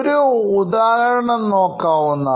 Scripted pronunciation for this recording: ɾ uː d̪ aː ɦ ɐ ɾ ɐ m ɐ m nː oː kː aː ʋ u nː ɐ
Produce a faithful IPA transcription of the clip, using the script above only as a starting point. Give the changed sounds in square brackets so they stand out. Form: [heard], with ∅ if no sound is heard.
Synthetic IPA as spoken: ɾ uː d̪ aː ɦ ɐ ɾ ɐ [ɳ] ɐ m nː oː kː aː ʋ u nː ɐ